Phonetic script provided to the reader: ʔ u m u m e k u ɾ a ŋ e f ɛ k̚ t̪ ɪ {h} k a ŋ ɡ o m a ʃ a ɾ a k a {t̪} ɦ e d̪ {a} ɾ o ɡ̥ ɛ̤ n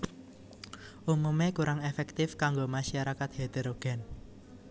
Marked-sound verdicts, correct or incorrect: incorrect, correct, incorrect

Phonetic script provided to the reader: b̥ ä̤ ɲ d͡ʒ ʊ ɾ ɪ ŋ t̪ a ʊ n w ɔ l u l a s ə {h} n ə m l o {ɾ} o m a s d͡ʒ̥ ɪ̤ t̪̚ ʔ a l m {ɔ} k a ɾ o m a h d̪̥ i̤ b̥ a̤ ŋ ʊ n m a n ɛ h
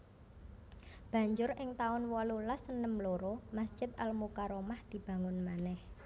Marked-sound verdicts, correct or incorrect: incorrect, correct, incorrect

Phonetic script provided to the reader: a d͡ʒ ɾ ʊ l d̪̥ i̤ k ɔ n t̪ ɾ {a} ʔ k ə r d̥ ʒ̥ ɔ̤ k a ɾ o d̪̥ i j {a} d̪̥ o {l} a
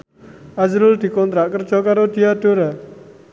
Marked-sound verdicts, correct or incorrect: correct, correct, incorrect

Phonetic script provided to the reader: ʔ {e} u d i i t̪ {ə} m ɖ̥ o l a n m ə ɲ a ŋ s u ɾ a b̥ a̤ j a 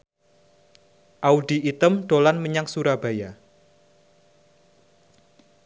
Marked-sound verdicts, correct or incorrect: incorrect, correct

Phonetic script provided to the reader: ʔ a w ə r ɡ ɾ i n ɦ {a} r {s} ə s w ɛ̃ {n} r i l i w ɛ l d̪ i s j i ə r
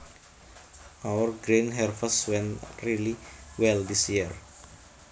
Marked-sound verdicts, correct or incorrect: incorrect, incorrect, correct

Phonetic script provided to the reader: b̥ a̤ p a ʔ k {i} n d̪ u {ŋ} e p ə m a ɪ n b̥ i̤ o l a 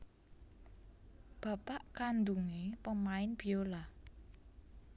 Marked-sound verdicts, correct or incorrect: incorrect, correct

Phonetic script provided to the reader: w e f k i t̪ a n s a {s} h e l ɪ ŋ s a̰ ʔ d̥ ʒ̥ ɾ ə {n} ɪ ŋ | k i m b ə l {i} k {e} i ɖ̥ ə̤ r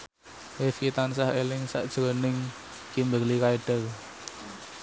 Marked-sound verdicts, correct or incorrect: incorrect, correct, correct, incorrect

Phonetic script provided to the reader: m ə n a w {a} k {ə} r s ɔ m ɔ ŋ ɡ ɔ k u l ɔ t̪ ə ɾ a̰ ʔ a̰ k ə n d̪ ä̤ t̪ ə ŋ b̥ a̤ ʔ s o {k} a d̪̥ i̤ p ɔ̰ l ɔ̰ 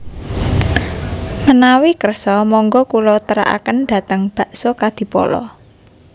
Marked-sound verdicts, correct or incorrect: incorrect, correct, correct

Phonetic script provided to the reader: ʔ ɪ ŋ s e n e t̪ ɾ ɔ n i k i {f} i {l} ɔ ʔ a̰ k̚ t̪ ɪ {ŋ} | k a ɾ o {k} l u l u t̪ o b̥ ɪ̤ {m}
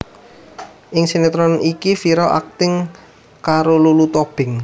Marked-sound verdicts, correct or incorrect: correct, incorrect, correct, incorrect, incorrect

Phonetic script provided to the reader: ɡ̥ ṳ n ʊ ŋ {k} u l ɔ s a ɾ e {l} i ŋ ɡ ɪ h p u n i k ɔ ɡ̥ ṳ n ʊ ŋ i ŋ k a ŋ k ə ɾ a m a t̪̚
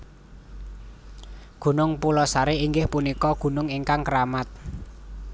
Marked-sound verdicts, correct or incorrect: incorrect, incorrect

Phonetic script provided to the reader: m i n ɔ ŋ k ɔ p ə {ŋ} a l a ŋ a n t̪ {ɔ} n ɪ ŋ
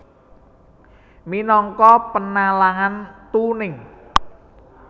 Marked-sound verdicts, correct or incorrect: incorrect, incorrect

